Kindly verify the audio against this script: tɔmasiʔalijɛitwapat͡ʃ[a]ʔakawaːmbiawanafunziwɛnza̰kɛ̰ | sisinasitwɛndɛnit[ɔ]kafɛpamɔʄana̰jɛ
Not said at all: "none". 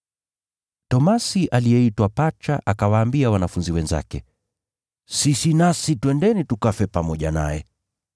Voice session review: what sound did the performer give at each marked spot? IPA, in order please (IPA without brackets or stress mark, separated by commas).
a, u